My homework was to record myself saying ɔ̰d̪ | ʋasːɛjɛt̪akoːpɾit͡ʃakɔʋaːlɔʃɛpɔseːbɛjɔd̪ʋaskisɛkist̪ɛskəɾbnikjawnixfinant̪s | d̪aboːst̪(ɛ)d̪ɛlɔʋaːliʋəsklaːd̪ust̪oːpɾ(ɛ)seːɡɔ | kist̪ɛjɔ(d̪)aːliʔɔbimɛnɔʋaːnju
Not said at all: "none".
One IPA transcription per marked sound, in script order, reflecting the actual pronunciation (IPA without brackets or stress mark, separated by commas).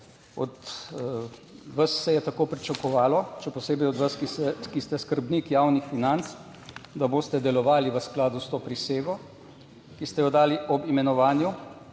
ɛ, i, d̪